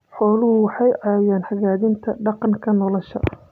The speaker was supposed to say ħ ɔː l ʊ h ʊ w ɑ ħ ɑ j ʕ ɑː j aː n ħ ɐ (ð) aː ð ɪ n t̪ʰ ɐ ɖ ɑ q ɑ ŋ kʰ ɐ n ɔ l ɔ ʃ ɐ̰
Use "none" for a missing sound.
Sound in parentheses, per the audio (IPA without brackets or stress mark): ɣ